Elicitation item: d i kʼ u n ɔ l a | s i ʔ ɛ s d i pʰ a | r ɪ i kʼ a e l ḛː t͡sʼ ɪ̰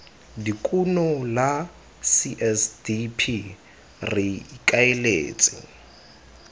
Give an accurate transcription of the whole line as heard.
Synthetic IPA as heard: d i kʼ u n ɔ l a | s i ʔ ɛ s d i pʰ i | r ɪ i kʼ a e l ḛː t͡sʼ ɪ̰